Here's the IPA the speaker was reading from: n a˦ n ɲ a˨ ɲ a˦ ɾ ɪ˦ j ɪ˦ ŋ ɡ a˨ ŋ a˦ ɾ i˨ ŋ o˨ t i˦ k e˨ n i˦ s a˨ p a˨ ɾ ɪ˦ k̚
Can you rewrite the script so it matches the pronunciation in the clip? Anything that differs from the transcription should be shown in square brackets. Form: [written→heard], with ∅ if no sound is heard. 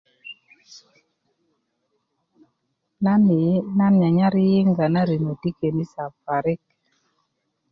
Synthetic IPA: n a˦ n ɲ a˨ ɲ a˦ ɾ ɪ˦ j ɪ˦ ŋ ɡ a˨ [ŋ→n] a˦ ɾ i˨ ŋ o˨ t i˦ k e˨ n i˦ s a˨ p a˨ ɾ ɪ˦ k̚

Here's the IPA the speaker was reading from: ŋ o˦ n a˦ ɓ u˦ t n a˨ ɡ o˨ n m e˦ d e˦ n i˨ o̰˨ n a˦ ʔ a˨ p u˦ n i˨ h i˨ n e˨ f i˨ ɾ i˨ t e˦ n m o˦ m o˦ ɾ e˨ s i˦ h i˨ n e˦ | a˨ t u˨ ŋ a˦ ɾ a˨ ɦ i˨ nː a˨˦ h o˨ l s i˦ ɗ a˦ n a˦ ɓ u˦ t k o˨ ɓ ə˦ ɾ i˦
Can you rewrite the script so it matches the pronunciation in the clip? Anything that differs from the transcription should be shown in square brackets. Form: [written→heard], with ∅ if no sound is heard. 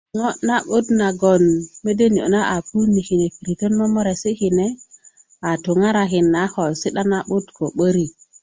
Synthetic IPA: ŋ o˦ n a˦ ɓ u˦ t n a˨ ɡ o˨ n m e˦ d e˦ n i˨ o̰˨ n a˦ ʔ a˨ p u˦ n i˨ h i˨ n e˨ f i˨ ɾ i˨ t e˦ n m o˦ m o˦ ɾ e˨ s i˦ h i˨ n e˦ | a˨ t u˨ ŋ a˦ ɾ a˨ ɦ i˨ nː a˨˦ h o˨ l s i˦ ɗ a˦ n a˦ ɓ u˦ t k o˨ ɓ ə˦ ɾ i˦

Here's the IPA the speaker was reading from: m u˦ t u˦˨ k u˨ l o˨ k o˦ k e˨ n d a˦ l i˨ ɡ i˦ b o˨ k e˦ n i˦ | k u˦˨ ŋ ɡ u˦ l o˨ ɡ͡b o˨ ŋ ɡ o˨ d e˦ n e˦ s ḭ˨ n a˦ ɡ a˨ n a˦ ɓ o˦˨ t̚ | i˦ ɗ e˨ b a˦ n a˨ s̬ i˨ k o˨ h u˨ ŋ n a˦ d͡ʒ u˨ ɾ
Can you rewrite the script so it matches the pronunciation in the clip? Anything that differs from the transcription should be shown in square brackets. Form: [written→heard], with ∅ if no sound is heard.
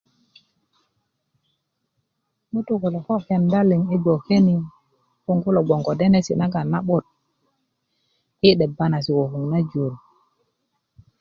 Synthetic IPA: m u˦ t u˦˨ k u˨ l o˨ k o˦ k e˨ n d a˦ l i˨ [ɡ→ŋ] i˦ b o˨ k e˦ n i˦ | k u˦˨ ŋ ɡ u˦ l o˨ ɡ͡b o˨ ŋ ɡ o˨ d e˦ n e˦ s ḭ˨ n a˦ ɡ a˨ n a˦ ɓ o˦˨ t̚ | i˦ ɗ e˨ b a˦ n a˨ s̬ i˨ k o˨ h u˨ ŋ n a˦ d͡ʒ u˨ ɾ

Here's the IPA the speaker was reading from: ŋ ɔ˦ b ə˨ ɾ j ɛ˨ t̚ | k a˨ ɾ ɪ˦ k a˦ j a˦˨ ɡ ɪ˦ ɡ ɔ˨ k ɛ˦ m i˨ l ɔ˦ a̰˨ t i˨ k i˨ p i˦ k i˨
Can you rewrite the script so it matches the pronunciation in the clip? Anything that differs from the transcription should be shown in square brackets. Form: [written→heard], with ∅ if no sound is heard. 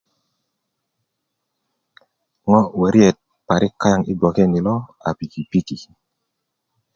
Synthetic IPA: ŋ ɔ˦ [b→w] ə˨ ɾ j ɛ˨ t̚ | [k→p] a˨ ɾ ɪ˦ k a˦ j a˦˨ [ɡ→ŋ] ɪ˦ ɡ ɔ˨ k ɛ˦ [m→n] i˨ l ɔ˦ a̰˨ [t→p] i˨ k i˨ p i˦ k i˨

